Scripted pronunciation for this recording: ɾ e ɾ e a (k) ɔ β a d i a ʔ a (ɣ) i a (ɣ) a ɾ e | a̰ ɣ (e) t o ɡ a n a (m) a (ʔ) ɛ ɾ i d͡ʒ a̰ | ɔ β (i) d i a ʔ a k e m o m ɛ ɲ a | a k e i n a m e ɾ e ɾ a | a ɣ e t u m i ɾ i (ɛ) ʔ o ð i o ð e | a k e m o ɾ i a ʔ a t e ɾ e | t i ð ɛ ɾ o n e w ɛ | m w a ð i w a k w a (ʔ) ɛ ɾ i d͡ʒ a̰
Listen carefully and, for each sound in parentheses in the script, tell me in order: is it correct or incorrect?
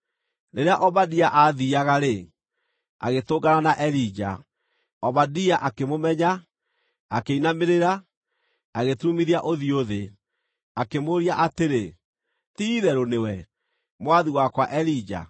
incorrect, incorrect, correct, correct, incorrect, correct, incorrect, incorrect, correct

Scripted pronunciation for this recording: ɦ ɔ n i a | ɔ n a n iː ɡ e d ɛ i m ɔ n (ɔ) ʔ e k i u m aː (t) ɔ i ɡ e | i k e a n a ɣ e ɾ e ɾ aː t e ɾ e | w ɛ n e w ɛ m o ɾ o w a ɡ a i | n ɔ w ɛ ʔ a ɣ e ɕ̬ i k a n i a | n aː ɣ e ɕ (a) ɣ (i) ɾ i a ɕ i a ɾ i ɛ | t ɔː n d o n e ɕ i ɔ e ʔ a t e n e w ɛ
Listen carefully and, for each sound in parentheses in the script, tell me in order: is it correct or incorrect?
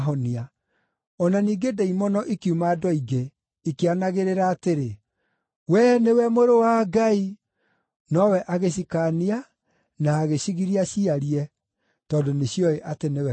correct, incorrect, incorrect, correct

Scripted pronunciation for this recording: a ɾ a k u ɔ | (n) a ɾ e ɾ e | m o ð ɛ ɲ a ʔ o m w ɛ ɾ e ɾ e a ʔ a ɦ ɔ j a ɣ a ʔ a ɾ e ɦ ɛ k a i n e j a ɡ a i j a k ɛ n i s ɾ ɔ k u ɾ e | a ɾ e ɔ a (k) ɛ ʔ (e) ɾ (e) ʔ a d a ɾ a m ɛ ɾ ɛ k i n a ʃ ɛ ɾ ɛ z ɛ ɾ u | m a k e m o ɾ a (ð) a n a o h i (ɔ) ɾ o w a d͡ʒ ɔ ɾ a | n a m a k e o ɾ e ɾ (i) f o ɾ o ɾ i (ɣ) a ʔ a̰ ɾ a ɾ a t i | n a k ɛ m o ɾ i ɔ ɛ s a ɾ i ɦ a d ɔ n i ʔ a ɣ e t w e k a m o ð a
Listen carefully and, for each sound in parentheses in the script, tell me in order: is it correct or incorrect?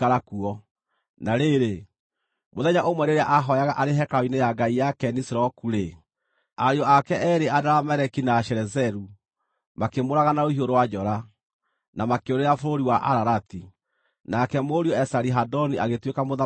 correct, correct, incorrect, correct, incorrect, incorrect, incorrect, incorrect

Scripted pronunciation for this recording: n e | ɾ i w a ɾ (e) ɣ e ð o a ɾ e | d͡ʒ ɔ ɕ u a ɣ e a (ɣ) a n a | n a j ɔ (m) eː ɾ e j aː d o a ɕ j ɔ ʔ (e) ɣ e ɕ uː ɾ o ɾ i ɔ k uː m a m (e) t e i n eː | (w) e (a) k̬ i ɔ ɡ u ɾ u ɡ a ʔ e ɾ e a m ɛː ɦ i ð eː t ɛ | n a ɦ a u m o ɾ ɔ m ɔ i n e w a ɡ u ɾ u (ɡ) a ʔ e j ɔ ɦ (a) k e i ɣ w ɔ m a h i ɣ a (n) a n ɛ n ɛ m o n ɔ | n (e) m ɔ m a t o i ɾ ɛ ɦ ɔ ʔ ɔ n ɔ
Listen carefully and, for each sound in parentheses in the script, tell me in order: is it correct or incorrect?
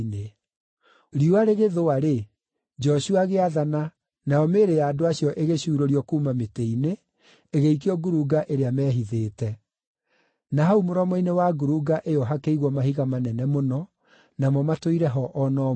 correct, incorrect, correct, correct, correct, incorrect, incorrect, correct, correct, incorrect, incorrect

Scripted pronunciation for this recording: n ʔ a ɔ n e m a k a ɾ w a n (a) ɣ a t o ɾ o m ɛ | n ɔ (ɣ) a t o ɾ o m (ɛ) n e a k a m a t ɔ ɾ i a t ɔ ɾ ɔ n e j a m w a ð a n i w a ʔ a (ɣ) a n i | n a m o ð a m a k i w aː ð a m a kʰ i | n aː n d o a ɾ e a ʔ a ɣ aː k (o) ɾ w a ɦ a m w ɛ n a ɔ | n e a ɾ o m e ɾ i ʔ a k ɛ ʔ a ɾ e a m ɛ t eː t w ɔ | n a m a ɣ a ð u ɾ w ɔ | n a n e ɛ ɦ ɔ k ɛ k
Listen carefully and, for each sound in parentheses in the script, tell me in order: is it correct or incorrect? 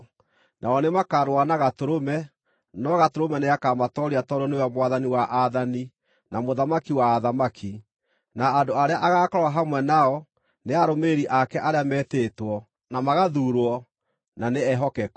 correct, correct, correct, incorrect, incorrect

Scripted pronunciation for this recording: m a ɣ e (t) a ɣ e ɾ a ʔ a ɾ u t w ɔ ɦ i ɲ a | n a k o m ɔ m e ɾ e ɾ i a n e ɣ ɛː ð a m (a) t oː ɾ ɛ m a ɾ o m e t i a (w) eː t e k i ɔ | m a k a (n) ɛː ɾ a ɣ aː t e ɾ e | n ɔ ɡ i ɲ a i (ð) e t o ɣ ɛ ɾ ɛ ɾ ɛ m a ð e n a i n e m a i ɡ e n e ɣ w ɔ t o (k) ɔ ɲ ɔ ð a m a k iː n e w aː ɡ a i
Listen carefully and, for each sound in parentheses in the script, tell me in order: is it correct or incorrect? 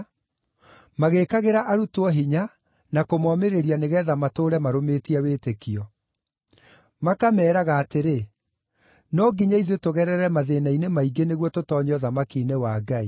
incorrect, correct, correct, incorrect, correct, incorrect

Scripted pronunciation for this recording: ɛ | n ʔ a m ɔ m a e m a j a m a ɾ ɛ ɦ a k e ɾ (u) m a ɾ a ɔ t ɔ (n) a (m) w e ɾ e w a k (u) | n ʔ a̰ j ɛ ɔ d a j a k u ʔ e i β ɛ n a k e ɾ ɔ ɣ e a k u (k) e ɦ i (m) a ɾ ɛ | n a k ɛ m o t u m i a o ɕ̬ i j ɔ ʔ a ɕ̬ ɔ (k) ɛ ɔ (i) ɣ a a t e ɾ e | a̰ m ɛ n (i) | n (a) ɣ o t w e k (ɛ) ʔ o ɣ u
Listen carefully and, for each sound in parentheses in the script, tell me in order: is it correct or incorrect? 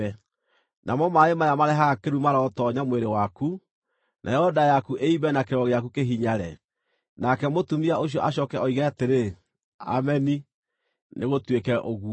correct, incorrect, correct, correct, correct, incorrect, correct, correct, correct, incorrect, correct

